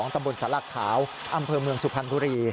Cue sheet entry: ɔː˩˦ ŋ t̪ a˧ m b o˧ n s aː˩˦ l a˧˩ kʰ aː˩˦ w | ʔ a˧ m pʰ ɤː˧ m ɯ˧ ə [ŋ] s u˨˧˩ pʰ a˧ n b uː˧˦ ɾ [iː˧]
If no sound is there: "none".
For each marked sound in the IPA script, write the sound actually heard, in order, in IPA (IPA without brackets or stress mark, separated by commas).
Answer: ŋ, iː˧